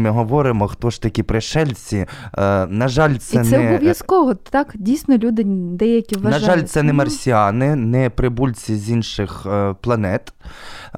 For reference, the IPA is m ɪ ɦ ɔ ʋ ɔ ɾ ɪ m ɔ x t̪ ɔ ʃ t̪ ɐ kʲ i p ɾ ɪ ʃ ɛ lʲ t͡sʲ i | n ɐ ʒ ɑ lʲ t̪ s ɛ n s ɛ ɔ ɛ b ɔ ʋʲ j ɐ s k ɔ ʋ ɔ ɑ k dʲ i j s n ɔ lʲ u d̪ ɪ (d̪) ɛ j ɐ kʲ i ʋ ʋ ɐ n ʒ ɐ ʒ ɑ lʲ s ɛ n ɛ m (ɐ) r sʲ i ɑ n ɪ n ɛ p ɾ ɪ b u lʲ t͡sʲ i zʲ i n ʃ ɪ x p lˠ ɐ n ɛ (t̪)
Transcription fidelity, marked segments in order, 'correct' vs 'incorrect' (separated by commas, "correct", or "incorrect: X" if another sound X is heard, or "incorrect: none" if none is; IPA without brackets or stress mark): correct, correct, correct